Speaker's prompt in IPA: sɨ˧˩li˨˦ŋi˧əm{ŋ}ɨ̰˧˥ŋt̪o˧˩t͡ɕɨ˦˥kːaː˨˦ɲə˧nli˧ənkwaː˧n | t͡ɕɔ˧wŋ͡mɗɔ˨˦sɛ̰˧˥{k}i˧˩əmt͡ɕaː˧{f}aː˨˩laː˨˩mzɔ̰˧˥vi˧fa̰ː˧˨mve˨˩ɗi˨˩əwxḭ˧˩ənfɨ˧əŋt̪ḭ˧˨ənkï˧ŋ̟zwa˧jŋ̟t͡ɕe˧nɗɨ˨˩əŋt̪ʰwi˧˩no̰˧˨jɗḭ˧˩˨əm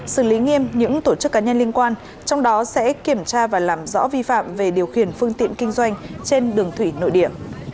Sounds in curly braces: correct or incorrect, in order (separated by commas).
incorrect, correct, incorrect